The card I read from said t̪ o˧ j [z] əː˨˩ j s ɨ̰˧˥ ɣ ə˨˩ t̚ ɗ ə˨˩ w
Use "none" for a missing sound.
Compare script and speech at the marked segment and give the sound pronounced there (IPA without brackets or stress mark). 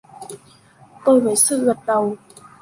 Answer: v